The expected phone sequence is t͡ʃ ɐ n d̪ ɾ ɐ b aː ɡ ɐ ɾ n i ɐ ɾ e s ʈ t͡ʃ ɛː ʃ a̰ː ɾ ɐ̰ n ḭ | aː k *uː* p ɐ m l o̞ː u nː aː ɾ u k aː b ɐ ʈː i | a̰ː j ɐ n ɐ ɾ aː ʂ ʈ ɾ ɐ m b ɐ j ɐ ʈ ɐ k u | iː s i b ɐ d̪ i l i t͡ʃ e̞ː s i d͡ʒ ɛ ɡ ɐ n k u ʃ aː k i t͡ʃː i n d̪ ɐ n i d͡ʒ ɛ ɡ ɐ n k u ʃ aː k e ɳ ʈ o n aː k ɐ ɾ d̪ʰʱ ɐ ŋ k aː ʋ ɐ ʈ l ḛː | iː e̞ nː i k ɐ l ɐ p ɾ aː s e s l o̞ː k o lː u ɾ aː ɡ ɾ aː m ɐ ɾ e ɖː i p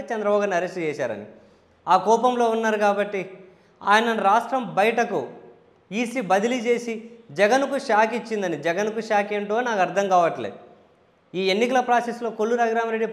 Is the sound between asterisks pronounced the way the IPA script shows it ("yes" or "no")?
no